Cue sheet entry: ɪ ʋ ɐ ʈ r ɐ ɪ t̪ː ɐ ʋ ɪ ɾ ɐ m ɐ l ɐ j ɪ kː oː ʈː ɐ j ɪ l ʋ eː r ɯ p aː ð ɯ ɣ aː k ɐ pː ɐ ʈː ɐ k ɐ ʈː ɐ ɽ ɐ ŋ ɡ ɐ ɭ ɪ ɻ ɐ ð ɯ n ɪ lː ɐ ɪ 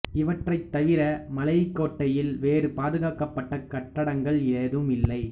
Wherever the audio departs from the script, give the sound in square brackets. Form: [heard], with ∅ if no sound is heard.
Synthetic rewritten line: ɪ ʋ ɐ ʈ r ɐ ɪ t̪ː ɐ ʋ ɪ ɾ ɐ m ɐ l ɐ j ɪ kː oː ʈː ɐ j ɪ l ʋ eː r ɯ p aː ð ɯ ɣ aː k ɐ pː ɐ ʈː ɐ k ɐ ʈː ɐ ɽ ɐ ŋ ɡ ɐ ɭ ɪ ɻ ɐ ð ɯ [m] ɪ lː ɐ ɪ

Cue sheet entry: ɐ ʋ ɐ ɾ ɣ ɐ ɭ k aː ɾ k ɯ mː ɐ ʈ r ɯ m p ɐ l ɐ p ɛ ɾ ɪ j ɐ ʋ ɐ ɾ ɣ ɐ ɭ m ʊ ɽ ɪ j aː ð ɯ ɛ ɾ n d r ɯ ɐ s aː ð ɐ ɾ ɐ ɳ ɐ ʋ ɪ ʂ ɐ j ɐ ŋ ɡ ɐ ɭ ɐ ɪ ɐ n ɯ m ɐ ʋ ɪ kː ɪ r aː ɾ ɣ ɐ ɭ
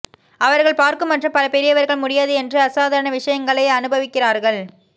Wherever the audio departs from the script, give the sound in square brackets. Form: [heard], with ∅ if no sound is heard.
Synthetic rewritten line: ɐ ʋ ɐ ɾ ɣ ɐ ɭ [p] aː ɾ k ɯ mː ɐ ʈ r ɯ m p ɐ l ɐ p ɛ ɾ ɪ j ɐ ʋ ɐ ɾ ɣ ɐ ɭ m ʊ ɽ ɪ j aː ð ɯ ɛ [∅] n d r ɯ ɐ s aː ð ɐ ɾ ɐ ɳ ɐ ʋ ɪ ʂ ɐ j ɐ ŋ ɡ ɐ ɭ ɐ ɪ ɐ n ɯ [b] ɐ ʋ ɪ kː ɪ r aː ɾ ɣ ɐ ɭ

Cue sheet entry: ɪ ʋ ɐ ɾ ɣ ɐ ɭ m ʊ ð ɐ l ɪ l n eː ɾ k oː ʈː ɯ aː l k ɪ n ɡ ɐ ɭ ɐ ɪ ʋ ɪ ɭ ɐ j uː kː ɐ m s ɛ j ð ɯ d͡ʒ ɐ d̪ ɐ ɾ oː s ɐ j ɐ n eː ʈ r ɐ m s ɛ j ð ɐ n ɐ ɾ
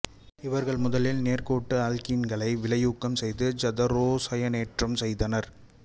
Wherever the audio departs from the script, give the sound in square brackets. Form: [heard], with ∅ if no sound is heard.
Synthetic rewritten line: ɪ ʋ ɐ ɾ ɣ ɐ ɭ m ʊ ð ɐ l ɪ l n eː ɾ k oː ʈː ɯ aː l k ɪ n ɡ ɐ ɭ ɐ ɪ ʋ ɪ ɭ ɐ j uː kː ɐ m s ɛ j ð ɯ d͡ʒ ɐ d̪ ɐ ɾ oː s ɐ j ɐ n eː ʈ r ɐ m s ɛ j ð ɐ n ɐ ɾ

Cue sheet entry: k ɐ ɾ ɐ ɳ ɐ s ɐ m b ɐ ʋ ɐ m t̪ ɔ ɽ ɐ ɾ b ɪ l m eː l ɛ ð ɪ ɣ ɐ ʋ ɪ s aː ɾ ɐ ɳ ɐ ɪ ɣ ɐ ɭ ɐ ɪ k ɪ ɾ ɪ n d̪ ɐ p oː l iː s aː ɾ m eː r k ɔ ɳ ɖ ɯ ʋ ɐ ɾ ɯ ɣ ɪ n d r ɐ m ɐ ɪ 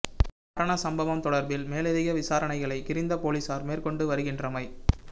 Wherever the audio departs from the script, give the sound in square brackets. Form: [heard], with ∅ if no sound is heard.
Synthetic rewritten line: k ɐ ɾ ɐ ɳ ɐ s ɐ m b ɐ ʋ ɐ m t̪ ɔ ɽ ɐ ɾ b ɪ l m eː l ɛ ð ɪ ɣ ɐ ʋ ɪ s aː ɾ ɐ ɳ ɐ ɪ ɣ ɐ ɭ ɐ ɪ k ɪ ɾ ɪ n d̪ ɐ p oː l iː s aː ɾ m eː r k ɔ ɳ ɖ ɯ ʋ ɐ ɾ ɯ ɣ ɪ n d r ɐ m ɐ ɪ

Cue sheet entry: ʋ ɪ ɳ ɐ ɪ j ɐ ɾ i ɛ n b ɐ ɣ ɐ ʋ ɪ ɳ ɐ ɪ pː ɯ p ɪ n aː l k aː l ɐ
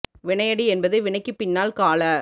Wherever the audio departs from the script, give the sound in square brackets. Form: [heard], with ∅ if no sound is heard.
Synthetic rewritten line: ʋ ɪ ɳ ɐ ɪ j ɐ [ɽ] i ɛ n b ɐ [ð] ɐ ʋ ɪ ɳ ɐ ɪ [kː] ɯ p ɪ [nː] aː l k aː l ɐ

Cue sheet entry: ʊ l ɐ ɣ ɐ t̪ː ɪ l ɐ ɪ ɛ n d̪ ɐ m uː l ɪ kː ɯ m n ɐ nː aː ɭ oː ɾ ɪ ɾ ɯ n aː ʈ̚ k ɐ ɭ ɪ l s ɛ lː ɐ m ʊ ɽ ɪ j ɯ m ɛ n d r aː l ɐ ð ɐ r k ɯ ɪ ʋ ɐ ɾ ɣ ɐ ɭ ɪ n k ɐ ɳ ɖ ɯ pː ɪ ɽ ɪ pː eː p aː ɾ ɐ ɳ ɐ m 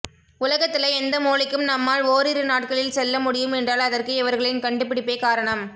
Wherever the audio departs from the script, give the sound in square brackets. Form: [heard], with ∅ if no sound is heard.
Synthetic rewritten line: ʊ l ɐ ɣ ɐ t̪ː ɪ l ɐ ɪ ɛ n d̪ ɐ m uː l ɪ kː ɯ m n ɐ [mː] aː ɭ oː ɾ ɪ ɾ ɯ n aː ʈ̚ k ɐ ɭ ɪ l s ɛ lː ɐ m ʊ ɽ ɪ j ɯ m ɛ n d r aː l ɐ ð ɐ r k ɯ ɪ ʋ ɐ ɾ ɣ ɐ ɭ ɪ n k ɐ ɳ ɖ ɯ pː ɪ ɽ ɪ pː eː [k] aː ɾ ɐ ɳ ɐ m

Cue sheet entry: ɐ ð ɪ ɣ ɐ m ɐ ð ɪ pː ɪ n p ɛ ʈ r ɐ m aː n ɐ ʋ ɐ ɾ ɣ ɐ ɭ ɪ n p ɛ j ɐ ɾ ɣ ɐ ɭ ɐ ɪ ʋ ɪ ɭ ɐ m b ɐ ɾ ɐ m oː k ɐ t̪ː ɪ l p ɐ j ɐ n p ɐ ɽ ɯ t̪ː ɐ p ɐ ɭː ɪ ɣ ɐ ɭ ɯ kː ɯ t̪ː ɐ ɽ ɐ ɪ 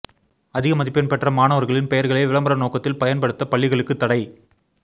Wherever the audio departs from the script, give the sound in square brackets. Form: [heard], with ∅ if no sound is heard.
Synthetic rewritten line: ɐ ð ɪ ɣ ɐ m ɐ ð ɪ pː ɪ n p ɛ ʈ r ɐ m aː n ɐ ʋ ɐ ɾ ɣ ɐ ɭ ɪ n p ɛ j ɐ ɾ ɣ ɐ ɭ ɐ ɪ ʋ ɪ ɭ ɐ m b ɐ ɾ ɐ [n] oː k ɐ t̪ː ɪ l p ɐ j ɐ n p ɐ ɽ ɯ t̪ː ɐ p ɐ ɭː ɪ ɣ ɐ ɭ ɯ kː ɯ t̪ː ɐ ɽ ɐ ɪ

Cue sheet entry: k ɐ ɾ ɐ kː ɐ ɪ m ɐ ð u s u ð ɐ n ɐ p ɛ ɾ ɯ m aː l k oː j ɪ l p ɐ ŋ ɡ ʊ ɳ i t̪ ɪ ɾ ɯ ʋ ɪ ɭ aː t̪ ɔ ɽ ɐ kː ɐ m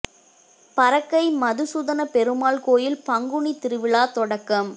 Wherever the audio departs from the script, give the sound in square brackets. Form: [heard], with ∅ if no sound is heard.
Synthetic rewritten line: [p] ɐ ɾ ɐ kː ɐ ɪ m ɐ ð [ɯ] s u ð ɐ n ɐ p ɛ ɾ ɯ m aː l k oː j ɪ l p ɐ ŋ ɡ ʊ ɳ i t̪ ɪ ɾ ɯ ʋ ɪ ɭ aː t̪ ɔ ɽ ɐ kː ɐ m

